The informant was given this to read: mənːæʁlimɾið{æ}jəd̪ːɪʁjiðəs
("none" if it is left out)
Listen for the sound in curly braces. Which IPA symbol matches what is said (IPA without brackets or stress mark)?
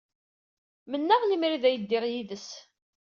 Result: æ